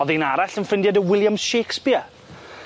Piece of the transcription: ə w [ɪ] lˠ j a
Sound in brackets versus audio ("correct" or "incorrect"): correct